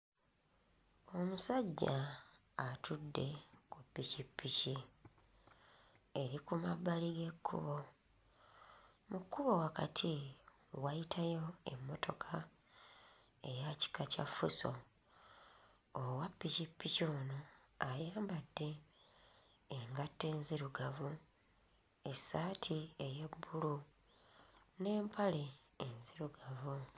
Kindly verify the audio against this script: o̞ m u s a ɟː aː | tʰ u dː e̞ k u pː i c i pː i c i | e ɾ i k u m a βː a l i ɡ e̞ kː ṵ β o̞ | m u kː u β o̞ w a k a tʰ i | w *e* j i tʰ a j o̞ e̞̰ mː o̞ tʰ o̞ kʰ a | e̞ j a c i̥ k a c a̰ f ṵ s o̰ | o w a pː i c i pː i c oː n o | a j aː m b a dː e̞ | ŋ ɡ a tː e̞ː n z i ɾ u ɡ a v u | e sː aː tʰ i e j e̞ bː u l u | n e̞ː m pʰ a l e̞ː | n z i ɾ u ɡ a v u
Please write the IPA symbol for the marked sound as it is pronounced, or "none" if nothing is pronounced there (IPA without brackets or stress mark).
a